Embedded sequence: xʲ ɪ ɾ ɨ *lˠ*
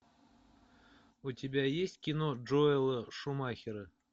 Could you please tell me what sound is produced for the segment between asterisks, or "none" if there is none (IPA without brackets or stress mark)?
none